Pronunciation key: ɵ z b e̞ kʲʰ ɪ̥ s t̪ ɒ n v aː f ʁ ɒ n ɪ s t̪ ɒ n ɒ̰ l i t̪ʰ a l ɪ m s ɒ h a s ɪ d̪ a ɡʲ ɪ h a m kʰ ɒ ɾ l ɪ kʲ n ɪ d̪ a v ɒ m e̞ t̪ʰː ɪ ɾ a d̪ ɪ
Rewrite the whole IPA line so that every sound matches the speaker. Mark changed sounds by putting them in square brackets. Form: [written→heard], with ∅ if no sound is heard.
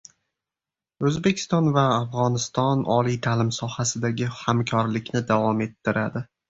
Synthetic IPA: ɵ z b e̞ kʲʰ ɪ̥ s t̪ ɒ n v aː f ʁ ɒ n ɪ s t̪ ɒ n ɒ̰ l i t̪ʰ a l ɪ m s ɒ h a s ɪ d̪ a ɡʲ ɪ h a m kʰ ɒ ɾ l ɪ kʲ n ɪ d̪ a v ɒ m e̞ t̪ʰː ɪ ɾ a d̪ ɪ

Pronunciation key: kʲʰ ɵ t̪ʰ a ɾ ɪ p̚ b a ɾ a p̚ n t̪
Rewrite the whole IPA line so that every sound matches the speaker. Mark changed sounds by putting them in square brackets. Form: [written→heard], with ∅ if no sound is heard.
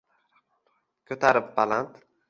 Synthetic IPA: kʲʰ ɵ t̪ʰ a ɾ ɪ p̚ b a [ɾ→l] a [p̚→∅] n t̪

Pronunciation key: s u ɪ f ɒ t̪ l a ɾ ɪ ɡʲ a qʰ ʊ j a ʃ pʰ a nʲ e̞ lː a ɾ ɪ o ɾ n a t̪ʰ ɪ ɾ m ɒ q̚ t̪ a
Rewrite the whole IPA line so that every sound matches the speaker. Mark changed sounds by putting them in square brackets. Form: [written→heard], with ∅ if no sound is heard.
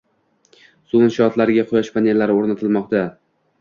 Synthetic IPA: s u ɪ [f→ʃ] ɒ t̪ l a ɾ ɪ ɡʲ a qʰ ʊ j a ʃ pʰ a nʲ e̞ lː a ɾ ɪ o ɾ n a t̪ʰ ɪ [ɾ→l] m ɒ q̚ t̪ a

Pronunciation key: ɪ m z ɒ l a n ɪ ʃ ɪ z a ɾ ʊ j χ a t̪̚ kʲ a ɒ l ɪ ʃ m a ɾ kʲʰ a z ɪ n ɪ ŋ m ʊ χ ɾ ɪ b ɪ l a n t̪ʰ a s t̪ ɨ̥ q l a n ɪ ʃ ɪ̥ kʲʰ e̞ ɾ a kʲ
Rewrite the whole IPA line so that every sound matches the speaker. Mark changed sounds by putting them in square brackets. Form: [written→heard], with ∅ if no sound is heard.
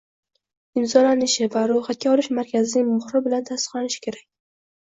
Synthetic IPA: ɪ m z ɒ l a n ɪ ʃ ɪ [z→v] a ɾ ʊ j χ a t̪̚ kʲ a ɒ l ɪ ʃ m a ɾ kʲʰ a z ɪ n ɪ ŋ m ʊ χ ɾ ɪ b ɪ l a n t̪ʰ a s t̪ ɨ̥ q l a n ɪ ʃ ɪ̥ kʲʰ e̞ ɾ a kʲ

